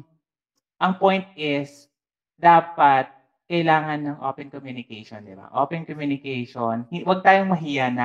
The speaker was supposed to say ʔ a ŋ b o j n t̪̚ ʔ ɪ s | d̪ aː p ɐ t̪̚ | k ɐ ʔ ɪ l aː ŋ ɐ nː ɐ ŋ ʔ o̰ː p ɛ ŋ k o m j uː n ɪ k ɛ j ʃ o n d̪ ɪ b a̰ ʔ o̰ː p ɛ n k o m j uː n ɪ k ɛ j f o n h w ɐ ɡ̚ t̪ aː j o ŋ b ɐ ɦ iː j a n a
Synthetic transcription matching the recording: ʔ ɐ ŋ p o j n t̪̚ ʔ ɪ s | d̪ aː p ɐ t̪̚ | k ɐ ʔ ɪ l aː ŋ ɐ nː ɐ ŋ ʔ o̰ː p ɛ n k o m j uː n ɪ k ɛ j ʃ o n d̪ ɪ b a̰ ʔ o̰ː p ɛ n k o m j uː n ɪ k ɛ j ʃ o n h w ɐ ɡ̚ t̪ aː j o ŋ m ɐ ɦ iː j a n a